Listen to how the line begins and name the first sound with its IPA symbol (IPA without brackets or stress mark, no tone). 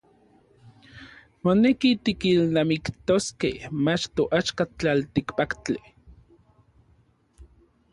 m